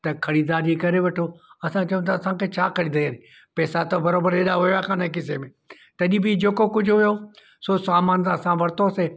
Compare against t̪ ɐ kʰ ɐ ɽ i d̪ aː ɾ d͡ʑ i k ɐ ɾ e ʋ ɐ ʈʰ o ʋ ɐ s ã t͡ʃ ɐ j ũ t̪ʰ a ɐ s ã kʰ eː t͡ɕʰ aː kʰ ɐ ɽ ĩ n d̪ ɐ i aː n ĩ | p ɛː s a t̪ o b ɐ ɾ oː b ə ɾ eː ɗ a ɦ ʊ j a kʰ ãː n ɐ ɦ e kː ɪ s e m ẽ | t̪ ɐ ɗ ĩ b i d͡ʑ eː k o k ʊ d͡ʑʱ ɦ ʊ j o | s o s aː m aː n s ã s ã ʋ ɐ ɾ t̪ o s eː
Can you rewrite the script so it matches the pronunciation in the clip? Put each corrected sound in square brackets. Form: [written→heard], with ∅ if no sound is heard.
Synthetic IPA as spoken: t̪ ɐ kʰ ɐ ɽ i d̪ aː ɾ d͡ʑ i k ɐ ɾ e ʋ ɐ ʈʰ o [ʋ→∅] ɐ s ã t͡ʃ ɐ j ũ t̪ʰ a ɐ s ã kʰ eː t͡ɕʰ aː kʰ ɐ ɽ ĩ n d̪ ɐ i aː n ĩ | p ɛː s a t̪ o b ɐ ɾ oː b ə ɾ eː ɗ a ɦ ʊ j a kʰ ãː n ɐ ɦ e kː ɪ s e m ẽ | t̪ ɐ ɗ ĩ b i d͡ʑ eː k o k ʊ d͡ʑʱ ɦ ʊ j o | s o s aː m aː n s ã s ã ʋ ɐ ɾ t̪ o s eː